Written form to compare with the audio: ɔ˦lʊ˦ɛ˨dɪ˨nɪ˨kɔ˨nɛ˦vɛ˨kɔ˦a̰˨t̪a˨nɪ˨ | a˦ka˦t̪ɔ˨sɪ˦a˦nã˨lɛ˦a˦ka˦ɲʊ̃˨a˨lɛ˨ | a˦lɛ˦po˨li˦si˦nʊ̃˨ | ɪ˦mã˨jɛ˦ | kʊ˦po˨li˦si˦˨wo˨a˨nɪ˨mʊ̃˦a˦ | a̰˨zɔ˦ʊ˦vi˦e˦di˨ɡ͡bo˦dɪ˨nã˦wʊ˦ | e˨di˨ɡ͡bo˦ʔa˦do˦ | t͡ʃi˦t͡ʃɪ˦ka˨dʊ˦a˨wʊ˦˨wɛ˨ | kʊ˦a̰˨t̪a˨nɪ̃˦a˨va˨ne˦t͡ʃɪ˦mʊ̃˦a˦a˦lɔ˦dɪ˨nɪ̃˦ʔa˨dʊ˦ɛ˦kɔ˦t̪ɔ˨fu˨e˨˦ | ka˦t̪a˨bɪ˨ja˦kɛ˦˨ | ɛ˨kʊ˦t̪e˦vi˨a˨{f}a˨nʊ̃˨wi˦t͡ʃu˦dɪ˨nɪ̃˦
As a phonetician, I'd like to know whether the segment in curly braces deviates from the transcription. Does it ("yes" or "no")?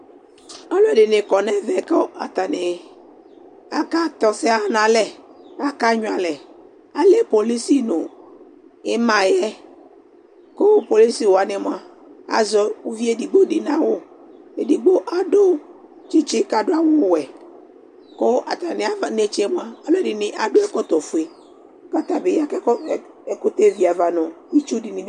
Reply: yes